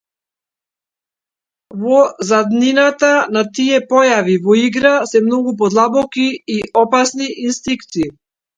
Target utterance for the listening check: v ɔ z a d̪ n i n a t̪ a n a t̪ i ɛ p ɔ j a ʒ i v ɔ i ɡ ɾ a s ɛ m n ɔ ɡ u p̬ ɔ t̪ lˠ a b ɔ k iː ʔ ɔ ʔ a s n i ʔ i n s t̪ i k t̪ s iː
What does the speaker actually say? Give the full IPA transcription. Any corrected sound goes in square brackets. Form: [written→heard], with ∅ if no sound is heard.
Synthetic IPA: v ɔ z a d̪ n i n a t̪ a n a t̪ i ɛ p ɔ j a [ʒ→v] i v ɔ i ɡ ɾ a s ɛ m n ɔ ɡ u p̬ ɔ [t̪→d̪] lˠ a b ɔ k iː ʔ ɔ [ʔ→p] a s n i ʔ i n s t̪ i k t̪ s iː